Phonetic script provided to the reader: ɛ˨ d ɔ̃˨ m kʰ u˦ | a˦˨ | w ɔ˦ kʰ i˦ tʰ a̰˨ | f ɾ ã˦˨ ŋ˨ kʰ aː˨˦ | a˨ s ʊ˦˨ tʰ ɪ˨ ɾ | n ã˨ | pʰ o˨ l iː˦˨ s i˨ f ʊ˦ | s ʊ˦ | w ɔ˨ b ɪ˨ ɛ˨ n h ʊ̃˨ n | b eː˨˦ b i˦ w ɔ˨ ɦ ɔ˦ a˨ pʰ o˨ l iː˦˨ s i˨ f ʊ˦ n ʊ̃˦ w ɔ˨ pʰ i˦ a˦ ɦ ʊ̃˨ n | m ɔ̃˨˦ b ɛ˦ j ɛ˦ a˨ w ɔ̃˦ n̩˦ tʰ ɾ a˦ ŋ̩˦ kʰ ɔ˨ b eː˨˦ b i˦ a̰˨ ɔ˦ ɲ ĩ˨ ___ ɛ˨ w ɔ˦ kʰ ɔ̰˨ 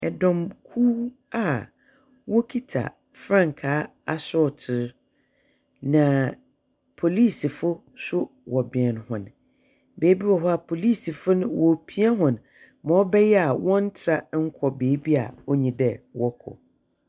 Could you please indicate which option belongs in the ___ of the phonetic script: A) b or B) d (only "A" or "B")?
B